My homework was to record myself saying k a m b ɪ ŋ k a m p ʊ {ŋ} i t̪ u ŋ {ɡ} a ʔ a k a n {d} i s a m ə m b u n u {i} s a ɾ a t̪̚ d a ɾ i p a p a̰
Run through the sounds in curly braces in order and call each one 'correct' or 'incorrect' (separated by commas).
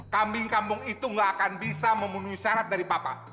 correct, correct, incorrect, correct